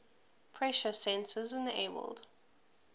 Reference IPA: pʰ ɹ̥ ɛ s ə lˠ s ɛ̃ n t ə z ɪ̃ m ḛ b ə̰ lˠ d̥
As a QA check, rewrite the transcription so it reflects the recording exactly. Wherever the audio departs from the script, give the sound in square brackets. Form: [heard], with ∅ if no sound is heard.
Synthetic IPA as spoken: pʰ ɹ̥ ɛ [ʃ] ə [∅] s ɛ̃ n [s] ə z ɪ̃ [n] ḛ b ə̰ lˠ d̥